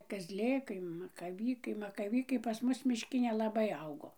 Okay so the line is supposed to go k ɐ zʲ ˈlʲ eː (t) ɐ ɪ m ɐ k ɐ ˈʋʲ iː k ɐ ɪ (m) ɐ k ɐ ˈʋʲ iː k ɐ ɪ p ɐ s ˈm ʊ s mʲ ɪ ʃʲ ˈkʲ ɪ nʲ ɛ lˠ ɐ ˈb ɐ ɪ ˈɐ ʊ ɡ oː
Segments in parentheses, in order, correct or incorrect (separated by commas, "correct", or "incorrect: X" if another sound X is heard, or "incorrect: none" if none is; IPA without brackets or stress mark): incorrect: k, correct